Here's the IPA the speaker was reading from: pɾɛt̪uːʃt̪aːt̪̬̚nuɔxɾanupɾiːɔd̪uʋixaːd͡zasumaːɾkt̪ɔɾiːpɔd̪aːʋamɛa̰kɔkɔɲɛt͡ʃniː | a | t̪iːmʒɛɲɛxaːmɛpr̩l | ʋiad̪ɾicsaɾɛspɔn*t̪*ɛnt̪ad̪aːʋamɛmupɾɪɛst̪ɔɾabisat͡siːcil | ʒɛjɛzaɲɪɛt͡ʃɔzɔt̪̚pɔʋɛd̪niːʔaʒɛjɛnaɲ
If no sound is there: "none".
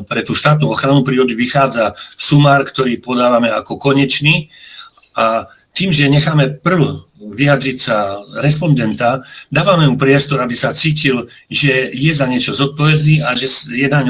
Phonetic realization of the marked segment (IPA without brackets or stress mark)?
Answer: d̪